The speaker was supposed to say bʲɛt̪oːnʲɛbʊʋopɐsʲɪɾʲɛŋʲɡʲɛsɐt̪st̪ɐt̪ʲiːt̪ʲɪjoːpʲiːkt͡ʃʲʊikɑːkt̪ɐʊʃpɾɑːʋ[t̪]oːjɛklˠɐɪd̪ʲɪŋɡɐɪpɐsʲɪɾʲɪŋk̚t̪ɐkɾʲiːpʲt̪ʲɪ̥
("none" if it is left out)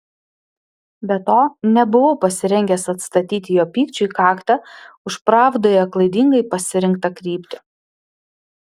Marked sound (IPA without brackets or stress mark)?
d̪